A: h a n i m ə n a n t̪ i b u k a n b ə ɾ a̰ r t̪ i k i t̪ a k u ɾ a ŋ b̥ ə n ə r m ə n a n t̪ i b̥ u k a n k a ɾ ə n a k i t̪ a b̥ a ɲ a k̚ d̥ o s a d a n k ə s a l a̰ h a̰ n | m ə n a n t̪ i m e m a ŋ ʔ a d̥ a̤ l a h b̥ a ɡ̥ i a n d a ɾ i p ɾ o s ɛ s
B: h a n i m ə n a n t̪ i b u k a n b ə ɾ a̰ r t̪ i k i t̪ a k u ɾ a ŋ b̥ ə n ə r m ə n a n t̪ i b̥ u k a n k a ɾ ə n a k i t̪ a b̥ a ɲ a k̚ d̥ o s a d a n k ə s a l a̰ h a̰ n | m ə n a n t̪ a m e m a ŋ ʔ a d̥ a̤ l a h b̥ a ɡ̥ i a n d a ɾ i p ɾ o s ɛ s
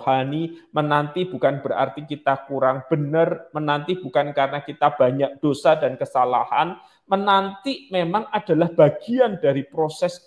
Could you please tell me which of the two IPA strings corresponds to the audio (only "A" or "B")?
A